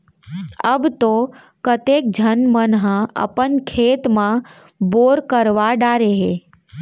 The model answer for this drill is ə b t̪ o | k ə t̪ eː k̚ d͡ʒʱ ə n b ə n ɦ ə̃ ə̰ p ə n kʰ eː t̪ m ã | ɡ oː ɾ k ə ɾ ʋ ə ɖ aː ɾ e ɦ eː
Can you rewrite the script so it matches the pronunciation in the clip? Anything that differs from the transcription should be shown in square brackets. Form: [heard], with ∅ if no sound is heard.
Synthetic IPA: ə b t̪ o | k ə t̪ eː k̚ d͡ʒʱ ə n [m] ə n ɦ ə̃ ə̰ p ə n kʰ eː t̪ m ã | [b] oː ɾ k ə ɾ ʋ [a] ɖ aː ɾ e ɦ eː

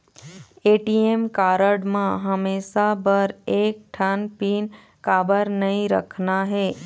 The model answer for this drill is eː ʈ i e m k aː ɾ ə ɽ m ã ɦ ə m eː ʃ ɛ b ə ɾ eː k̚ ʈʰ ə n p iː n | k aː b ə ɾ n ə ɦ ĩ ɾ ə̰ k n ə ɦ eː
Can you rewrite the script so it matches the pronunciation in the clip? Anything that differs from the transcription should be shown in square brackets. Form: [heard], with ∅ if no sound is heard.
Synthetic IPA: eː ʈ i e m k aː ɾ ə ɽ m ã ɦ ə m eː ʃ [a] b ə ɾ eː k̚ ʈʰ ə n p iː n | k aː b ə ɾ n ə ɦ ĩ ɾ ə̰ [kʰ] n [a] ɦ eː

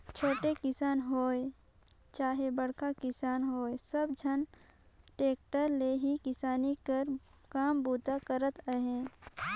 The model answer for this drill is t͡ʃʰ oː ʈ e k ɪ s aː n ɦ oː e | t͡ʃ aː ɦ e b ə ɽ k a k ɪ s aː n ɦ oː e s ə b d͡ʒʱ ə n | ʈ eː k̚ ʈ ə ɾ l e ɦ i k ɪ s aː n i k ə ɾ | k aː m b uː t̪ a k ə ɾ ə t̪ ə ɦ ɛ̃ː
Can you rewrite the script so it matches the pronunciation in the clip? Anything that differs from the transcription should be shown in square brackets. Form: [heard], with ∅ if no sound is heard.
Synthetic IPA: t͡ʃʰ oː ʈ e k ɪ s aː n ɦ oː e | t͡ʃ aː ɦ e b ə ɽ k a k ɪ s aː n ɦ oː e s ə b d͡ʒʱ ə n | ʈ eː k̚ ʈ ə ɾ l e ɦ i k ɪ s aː n i k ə ɾ | k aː m b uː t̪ a k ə ɾ ə t̪ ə ɦ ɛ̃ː

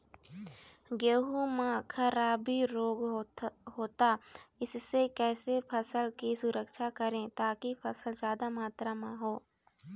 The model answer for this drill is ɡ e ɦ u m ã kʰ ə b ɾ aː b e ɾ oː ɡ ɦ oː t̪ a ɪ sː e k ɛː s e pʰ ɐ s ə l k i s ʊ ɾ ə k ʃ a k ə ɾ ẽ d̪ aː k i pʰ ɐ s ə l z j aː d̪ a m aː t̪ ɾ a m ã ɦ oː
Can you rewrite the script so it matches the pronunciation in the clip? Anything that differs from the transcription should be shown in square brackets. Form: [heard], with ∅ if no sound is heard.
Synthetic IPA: ɡ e ɦ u m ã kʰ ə [∅] ɾ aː b [i] ɾ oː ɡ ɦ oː t̪ a ɪ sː e k ɛː s e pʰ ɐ s ə l k i s ʊ ɾ ə k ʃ a k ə ɾ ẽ [t̪] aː k i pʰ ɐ s ə l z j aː d̪ a m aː t̪ ɾ a m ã ɦ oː

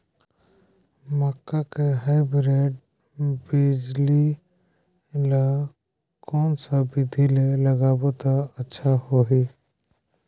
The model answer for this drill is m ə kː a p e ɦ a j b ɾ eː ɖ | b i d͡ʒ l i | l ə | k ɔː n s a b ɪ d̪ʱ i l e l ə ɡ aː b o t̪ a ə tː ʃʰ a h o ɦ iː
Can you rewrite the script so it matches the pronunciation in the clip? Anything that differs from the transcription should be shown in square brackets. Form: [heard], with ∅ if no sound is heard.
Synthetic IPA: m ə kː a [k] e ɦ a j b ɾ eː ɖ | b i d͡ʒ l i | l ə | k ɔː n s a b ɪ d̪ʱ i l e l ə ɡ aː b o t̪ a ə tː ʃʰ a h o ɦ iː

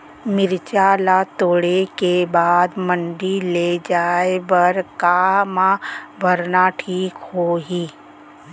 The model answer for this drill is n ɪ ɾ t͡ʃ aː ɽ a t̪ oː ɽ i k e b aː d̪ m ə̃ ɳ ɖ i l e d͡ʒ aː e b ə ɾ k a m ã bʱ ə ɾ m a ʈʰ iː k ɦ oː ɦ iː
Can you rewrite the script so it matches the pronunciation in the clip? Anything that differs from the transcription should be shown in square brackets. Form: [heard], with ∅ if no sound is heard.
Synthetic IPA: [m] ɪ ɾ t͡ʃ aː [l] a t̪ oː ɽ [e] k e b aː d̪ m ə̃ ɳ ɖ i l e d͡ʒ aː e b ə ɾ k a m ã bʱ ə ɾ [n] a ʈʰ iː k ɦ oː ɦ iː

